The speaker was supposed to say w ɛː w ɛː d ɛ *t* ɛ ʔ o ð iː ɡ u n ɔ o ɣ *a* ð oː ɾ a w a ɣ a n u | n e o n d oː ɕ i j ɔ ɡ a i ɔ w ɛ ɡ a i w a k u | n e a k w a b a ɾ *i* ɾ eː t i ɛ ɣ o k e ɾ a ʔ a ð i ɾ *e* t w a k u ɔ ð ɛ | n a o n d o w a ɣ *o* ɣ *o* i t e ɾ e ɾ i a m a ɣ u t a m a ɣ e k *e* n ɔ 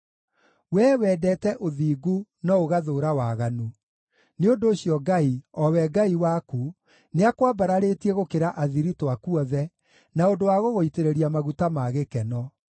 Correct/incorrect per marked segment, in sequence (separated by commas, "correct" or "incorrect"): correct, correct, incorrect, incorrect, correct, correct, incorrect